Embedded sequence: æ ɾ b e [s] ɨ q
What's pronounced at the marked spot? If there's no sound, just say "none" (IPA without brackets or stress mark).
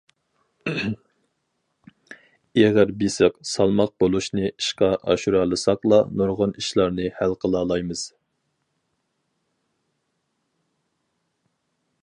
s